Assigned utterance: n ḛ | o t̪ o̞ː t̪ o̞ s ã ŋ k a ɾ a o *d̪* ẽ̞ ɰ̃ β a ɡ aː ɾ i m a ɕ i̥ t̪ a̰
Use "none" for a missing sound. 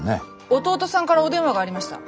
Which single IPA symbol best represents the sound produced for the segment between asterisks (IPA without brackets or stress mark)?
d̪